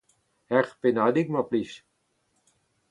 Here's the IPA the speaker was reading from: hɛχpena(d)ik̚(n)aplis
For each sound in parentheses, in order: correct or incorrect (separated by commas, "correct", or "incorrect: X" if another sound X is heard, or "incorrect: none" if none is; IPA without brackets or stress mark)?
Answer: correct, incorrect: m